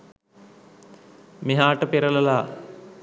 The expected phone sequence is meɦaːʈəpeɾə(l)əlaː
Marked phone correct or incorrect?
correct